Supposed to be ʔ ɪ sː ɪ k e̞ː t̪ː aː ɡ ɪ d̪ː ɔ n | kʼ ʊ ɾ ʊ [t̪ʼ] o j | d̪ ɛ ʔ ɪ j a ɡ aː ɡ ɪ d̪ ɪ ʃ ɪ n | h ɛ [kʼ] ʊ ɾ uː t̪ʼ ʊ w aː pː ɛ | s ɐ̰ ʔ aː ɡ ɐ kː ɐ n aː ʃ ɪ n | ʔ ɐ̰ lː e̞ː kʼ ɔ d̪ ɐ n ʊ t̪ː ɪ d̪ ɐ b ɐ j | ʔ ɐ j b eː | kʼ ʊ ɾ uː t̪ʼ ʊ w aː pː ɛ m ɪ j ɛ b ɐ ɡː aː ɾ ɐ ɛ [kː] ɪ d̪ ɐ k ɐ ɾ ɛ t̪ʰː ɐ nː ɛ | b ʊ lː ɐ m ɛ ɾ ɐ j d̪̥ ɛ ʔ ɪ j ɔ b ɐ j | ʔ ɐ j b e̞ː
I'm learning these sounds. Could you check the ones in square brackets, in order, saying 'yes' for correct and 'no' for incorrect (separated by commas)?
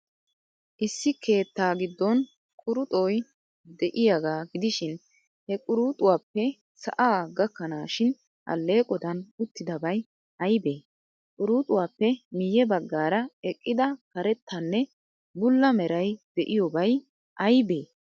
yes, yes, no